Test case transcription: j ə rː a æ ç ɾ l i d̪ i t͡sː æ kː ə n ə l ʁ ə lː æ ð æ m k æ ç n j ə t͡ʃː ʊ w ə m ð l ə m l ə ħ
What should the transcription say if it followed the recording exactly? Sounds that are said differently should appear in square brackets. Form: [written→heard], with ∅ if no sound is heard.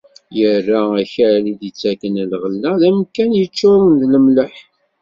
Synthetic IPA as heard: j ə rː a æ ç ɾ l i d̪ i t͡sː æ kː ə n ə l ʁ ə lː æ ð æ m k æ [ç→∅] n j ə t͡ʃː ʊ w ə [m→n] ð l ə m l ə ħ